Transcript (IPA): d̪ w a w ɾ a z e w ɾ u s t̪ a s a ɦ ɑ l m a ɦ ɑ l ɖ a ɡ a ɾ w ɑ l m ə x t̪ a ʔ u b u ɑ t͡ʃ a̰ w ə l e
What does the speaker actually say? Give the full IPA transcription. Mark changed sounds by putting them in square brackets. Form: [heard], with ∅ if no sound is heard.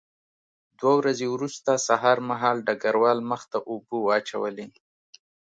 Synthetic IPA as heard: d̪ w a w ɾ a z e w ɾ u s t̪ a s a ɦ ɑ [ɾ] m a ɦ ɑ l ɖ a ɡ a ɾ w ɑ l m ə x t̪ a ʔ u b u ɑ t͡ʃ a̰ w ə l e